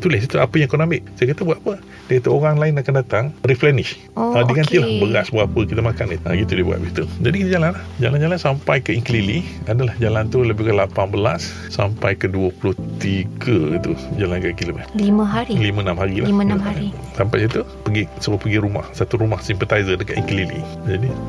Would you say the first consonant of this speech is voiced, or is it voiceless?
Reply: voiceless